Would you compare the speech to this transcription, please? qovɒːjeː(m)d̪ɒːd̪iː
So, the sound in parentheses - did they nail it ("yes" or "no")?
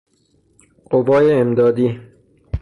yes